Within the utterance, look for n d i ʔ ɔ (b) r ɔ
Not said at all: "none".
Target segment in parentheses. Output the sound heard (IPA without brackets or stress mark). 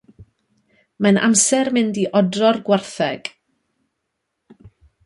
d